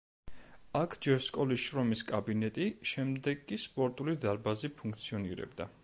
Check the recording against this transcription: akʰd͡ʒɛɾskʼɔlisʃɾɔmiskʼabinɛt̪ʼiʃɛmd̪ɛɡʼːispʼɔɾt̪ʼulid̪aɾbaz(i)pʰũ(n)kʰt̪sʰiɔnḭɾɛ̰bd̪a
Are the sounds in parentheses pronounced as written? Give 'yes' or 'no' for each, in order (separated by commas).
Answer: yes, no